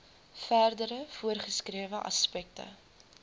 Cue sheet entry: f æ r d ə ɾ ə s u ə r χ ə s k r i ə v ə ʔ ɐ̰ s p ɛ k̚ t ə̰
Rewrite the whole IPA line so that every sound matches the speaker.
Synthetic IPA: f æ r d ə ɾ ə f u ə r χ ə s k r i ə v ə ʔ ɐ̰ s p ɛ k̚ t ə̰